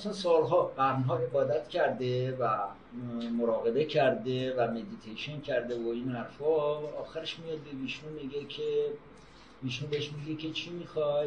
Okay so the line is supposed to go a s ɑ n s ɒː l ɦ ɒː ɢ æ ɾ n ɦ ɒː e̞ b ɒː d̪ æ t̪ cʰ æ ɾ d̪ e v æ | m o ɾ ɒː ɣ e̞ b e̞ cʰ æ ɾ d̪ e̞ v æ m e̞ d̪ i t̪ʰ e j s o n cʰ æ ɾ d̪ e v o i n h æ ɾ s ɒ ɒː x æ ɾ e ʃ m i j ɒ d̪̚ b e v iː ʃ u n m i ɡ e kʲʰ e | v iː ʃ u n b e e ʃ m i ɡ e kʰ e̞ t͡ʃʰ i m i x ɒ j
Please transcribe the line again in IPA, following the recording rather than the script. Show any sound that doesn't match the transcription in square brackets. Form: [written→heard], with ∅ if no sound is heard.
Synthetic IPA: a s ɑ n s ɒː l ɦ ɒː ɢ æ ɾ n ɦ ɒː e̞ b ɒː d̪ æ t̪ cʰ æ ɾ d̪ e v æ | m o ɾ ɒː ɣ e̞ b e̞ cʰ æ ɾ d̪ e̞ v æ m e̞ d̪ i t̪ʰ e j [s→ʃ] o n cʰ æ ɾ d̪ e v o i n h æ ɾ [s→f] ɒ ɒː x æ ɾ e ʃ m i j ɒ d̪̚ b e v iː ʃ u n m i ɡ e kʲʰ e | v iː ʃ u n b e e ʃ m i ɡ e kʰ e̞ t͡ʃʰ i m i x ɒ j